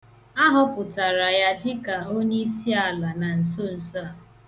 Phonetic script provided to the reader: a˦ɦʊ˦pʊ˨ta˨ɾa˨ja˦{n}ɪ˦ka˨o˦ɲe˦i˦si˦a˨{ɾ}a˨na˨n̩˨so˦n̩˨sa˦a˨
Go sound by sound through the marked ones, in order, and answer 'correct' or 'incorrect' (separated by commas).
incorrect, incorrect